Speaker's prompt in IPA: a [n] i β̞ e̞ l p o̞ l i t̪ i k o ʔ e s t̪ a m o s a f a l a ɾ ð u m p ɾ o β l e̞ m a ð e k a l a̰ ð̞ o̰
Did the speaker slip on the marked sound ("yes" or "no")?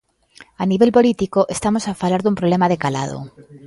no